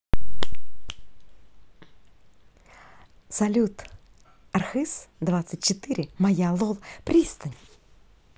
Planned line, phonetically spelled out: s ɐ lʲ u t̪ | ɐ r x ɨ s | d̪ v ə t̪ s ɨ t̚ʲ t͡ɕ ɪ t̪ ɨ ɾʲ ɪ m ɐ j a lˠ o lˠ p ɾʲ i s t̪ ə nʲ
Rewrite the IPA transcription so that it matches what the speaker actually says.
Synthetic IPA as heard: s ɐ lʲ u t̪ | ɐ r x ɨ s | d̪ v a t̪ s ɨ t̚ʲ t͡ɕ ɪ t̪ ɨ ɾʲ ɪ m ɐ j a lˠ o lˠ p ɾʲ i s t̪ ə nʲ